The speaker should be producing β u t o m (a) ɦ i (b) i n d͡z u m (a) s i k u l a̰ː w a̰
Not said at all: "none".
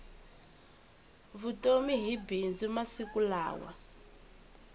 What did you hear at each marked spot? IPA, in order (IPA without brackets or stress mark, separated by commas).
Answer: i, b, a